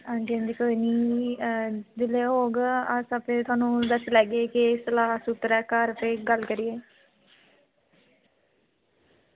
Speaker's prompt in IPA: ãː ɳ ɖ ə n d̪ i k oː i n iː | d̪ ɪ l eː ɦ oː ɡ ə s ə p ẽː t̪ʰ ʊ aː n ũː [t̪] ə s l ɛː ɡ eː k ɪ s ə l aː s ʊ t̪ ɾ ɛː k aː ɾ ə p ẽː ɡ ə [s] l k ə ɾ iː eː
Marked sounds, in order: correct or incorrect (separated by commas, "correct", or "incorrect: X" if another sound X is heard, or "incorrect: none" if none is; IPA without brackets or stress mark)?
incorrect: d̪, incorrect: none